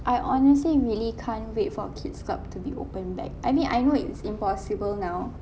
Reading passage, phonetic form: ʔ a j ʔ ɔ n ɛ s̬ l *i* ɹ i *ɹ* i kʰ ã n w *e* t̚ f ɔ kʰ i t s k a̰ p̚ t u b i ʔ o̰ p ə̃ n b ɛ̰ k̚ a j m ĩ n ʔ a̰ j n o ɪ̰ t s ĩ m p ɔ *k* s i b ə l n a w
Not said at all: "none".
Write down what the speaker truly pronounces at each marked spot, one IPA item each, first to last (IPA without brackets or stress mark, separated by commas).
i, l, e, none